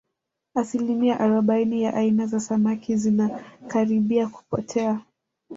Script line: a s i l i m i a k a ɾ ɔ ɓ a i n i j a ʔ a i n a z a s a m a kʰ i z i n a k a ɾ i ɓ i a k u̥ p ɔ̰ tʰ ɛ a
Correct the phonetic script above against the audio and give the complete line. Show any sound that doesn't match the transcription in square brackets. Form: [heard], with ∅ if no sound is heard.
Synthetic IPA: a s i l i m i a [ʔ] a ɾ ɔ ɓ a i n i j a ʔ a i n a z a s a m a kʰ i z i n a k a ɾ i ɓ i a k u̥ p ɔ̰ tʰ ɛ a